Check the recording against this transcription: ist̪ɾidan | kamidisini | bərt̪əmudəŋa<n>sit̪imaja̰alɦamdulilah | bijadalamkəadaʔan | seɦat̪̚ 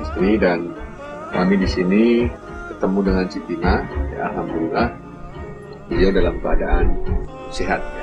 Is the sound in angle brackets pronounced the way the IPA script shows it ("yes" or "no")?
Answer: yes